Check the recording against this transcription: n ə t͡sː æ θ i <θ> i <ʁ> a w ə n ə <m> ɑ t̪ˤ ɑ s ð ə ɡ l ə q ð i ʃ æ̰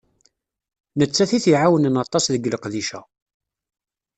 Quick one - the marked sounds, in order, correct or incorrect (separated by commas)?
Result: correct, incorrect, incorrect